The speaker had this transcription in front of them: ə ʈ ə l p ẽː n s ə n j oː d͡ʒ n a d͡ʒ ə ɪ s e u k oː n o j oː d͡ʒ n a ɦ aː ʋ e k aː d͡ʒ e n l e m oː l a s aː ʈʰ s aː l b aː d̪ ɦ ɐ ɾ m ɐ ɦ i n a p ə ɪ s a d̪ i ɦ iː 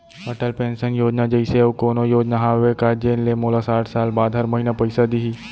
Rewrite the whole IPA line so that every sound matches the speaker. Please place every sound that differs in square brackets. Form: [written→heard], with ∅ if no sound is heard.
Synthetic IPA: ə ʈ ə l p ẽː n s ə n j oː d͡ʒ n a d͡ʒ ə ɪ s e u k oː n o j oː d͡ʒ n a ɦ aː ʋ e k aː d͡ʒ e n l e m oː l a s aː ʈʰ s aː l b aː d̪ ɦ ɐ ɾ m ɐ ɦ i n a p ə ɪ s a d̪ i ɦ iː